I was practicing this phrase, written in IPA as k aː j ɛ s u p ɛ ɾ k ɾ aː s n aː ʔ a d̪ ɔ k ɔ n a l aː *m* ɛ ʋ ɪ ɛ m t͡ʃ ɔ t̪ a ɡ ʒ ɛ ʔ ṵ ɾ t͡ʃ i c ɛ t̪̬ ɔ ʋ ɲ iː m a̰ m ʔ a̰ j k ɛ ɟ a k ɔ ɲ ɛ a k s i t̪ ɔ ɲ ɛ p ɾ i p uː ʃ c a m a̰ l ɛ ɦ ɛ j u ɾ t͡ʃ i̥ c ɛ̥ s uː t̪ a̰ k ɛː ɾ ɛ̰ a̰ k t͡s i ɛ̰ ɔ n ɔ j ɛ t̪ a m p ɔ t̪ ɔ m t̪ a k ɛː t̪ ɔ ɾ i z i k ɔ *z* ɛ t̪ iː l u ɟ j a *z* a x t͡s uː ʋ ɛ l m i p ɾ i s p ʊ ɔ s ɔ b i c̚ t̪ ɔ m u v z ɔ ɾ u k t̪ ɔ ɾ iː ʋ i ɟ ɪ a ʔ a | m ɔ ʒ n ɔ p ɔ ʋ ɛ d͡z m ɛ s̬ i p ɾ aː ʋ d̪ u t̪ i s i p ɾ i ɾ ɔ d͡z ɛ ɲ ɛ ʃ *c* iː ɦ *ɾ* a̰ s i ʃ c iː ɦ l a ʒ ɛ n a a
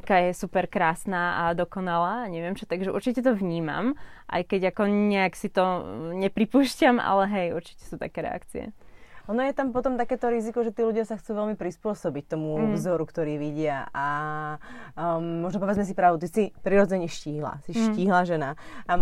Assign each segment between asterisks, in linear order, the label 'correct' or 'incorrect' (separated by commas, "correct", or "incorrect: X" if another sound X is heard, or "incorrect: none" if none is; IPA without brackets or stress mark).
incorrect: ɲ, incorrect: ʒ, incorrect: s, correct, incorrect: l